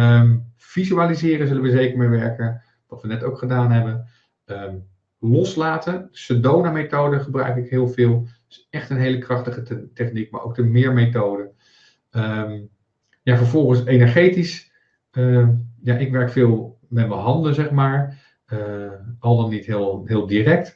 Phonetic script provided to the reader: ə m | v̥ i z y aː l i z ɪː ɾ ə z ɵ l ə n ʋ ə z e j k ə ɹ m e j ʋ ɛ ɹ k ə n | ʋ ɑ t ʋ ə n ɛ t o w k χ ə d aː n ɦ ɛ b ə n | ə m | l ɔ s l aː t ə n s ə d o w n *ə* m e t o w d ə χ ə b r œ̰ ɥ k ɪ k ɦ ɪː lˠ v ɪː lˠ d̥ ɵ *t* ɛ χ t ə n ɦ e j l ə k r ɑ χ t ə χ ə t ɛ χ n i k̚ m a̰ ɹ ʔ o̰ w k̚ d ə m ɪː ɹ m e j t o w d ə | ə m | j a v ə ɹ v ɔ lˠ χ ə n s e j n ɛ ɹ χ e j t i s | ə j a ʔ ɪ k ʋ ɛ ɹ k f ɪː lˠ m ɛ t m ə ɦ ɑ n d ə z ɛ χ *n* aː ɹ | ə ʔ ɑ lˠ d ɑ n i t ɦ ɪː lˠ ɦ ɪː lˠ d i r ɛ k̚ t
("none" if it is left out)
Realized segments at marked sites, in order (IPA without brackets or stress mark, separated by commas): a, s, m